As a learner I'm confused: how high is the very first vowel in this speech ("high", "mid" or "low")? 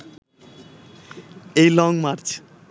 mid